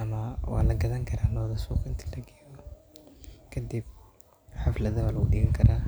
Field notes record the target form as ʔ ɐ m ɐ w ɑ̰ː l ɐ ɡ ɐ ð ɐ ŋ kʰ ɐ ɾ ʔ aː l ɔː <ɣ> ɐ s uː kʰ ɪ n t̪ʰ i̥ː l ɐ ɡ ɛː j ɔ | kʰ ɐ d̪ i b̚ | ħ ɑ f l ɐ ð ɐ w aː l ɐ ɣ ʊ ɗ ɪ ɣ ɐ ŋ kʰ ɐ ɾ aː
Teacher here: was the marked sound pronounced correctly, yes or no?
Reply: no